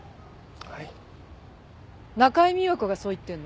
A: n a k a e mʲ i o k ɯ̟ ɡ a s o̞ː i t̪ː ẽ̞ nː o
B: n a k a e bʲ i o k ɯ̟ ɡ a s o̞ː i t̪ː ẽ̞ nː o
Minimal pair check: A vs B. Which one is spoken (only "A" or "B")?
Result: A